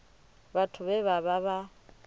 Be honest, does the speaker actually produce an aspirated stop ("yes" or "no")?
yes